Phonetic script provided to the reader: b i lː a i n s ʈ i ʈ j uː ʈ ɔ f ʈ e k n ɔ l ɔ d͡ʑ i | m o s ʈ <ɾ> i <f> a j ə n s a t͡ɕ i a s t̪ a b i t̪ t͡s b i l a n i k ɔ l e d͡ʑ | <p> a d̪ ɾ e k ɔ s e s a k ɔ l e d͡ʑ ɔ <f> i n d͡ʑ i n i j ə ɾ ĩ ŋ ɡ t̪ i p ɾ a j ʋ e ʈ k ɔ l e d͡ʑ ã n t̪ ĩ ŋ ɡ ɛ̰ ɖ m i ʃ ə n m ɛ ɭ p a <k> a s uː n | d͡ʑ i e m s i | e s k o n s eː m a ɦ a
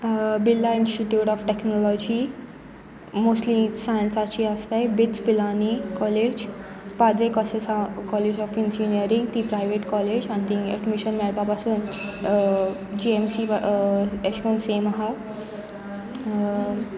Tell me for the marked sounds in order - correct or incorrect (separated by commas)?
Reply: incorrect, incorrect, correct, correct, incorrect